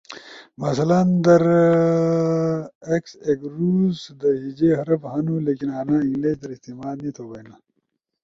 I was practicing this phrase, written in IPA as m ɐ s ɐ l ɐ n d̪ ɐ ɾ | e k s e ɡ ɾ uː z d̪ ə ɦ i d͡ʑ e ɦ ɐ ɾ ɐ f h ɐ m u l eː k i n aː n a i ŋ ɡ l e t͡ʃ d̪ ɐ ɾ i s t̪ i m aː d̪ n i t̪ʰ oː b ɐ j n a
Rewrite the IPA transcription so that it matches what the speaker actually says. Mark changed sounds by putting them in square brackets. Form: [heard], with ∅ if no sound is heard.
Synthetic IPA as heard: m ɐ s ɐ l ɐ n d̪ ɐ ɾ | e k s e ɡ ɾ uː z d̪ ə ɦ i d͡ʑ e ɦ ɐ ɾ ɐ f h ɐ [n] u l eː k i n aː n a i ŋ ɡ l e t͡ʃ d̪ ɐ ɾ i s t̪ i m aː d̪ n i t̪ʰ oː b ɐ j n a

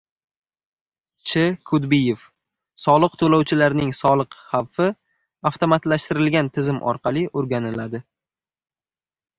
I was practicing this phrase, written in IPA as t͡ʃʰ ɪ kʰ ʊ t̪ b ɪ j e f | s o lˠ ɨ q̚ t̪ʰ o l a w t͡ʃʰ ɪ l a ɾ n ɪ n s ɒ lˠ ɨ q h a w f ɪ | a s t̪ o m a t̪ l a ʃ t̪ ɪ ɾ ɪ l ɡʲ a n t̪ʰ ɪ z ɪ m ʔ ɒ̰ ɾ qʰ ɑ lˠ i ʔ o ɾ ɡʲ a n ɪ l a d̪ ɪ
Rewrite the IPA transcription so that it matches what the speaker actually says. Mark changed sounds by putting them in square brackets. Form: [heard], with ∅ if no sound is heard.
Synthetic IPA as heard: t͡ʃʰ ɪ kʰ ʊ [d̪] b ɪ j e f | s [ɒ] lˠ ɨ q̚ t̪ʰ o l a w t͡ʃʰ ɪ l a ɾ n ɪ [ŋ] s ɒ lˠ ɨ q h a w f ɪ | a [f] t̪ o m a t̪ l a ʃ t̪ ɪ ɾ ɪ l ɡʲ a n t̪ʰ ɪ z ɪ m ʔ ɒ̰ ɾ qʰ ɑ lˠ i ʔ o ɾ ɡʲ a n ɪ l a d̪ ɪ

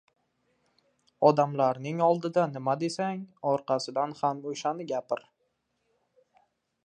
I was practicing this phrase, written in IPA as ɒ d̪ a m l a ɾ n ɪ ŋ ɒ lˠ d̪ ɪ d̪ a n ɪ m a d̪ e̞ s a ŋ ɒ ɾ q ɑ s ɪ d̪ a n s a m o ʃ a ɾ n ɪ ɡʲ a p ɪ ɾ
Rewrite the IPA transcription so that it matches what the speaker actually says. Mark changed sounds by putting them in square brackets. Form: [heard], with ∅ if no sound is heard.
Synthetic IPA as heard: ɒ d̪ a m l a ɾ n ɪ ŋ ɒ lˠ d̪ ɪ d̪ a n ɪ m a d̪ e̞ s a ŋ ɒ ɾ q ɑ s ɪ d̪ a n [h] a m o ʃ a [∅] n ɪ ɡʲ a p ɪ ɾ

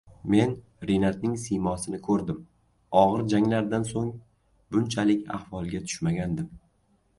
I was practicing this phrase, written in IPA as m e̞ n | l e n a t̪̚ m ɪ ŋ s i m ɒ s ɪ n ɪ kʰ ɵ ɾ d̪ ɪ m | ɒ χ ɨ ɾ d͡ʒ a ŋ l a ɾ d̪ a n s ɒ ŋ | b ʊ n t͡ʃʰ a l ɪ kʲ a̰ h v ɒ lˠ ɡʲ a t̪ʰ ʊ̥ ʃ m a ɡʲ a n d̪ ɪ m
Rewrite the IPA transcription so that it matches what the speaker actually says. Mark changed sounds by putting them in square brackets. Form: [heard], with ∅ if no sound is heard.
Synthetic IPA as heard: m e̞ n | [ɾ] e n a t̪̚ [n] ɪ ŋ s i m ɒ s ɪ n ɪ kʰ ɵ ɾ d̪ ɪ m | ɒ [ʁ] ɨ ɾ d͡ʒ a ŋ l a ɾ d̪ a n s [o] ŋ | b ʊ n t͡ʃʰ a l ɪ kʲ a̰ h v ɒ lˠ ɡʲ a t̪ʰ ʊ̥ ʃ m a ɡʲ a n d̪ ɪ m

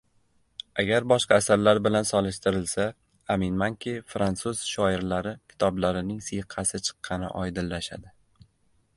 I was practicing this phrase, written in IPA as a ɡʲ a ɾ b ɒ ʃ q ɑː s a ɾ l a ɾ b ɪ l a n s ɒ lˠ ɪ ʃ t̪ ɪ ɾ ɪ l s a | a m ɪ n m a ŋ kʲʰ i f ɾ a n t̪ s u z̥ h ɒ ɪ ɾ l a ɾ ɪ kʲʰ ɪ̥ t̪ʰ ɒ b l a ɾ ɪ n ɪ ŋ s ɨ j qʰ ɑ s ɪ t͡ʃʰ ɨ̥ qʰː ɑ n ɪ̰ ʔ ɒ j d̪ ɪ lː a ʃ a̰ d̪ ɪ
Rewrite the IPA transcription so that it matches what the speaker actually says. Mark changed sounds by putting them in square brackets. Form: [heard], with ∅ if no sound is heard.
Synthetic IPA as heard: a ɡʲ a ɾ b ɒ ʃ q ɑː s a ɾ l a ɾ b ɪ l a n s ɒ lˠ ɪ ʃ t̪ ɪ ɾ ɪ l s a | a m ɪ n m a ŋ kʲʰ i f ɾ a n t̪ s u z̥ [ʃ] ɒ ɪ ɾ l a ɾ ɪ kʲʰ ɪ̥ t̪ʰ ɒ b l a ɾ ɪ n ɪ ŋ s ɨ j qʰ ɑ s ɪ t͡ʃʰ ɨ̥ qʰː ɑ n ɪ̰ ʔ ɒ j d̪ ɪ lː a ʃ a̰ d̪ ɪ

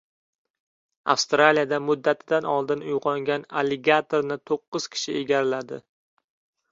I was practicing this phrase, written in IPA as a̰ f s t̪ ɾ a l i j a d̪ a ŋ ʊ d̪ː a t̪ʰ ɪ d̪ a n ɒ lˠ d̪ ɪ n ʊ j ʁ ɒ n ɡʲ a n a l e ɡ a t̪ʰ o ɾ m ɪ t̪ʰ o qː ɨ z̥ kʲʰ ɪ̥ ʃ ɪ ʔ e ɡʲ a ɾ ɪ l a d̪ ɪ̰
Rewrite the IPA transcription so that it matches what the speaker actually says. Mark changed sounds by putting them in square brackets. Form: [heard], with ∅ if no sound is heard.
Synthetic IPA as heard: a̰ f s t̪ ɾ a l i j a d̪ a [m] ʊ d̪ː a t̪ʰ ɪ d̪ a n ɒ lˠ d̪ ɪ n ʊ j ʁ ɒ [ŋ] ɡʲ a n a l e ɡ a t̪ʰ o ɾ [n] ɪ t̪ʰ o qː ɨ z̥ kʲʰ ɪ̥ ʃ ɪ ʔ e ɡʲ a ɾ ɪ l a d̪ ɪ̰

